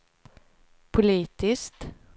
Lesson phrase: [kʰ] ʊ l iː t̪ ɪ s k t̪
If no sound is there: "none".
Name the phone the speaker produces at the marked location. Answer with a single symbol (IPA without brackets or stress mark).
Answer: pʰ